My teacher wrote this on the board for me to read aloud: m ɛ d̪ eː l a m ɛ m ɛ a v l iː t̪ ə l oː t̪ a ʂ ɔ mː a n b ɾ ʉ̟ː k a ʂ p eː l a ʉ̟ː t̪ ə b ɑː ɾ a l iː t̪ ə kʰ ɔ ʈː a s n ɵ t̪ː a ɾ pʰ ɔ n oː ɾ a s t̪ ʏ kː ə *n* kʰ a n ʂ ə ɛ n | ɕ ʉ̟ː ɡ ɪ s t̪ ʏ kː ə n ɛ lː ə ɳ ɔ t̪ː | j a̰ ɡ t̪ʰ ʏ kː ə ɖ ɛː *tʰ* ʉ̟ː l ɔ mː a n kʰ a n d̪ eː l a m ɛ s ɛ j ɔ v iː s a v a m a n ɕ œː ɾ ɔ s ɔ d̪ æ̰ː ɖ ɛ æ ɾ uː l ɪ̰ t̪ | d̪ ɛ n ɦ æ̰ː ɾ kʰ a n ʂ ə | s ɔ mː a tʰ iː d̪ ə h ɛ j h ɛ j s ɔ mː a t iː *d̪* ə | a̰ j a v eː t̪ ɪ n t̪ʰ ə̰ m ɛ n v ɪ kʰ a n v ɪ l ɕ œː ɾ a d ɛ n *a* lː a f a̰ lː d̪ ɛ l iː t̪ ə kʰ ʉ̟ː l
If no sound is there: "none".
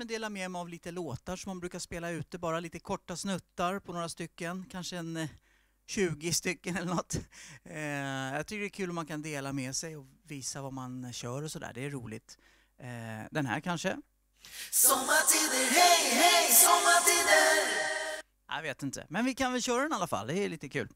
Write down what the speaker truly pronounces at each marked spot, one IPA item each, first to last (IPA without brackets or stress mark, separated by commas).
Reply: n, kʰ, d̪, a